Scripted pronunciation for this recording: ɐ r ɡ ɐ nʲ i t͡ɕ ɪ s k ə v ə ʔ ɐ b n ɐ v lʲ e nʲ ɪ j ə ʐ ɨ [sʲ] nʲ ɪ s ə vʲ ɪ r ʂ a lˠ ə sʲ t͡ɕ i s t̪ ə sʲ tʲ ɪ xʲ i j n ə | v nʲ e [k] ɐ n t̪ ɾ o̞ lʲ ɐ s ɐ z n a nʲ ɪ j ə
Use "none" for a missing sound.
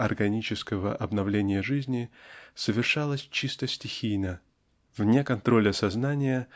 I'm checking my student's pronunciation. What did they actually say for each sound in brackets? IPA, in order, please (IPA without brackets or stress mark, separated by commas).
zʲ, k